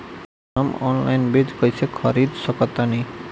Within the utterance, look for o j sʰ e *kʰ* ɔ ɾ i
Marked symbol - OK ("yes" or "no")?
yes